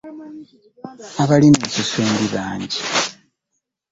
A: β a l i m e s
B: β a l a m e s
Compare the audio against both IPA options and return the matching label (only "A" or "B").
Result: A